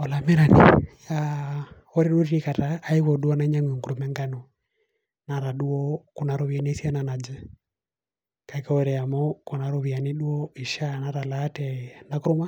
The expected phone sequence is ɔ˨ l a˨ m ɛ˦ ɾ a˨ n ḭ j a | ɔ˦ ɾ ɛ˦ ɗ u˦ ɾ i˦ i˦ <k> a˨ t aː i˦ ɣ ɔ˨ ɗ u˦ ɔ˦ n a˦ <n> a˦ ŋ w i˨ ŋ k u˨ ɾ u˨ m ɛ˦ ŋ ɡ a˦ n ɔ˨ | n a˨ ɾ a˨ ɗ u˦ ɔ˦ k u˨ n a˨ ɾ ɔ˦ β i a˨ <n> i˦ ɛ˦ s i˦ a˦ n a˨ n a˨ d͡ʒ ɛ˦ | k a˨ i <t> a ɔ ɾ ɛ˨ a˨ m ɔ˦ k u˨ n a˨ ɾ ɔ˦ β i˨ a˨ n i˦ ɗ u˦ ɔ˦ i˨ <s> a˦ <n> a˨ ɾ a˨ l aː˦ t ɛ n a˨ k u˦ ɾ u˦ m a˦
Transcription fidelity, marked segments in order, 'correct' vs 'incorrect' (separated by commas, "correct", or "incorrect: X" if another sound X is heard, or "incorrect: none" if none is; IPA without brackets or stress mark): correct, incorrect: ɲ, correct, incorrect: k, incorrect: ʃ, correct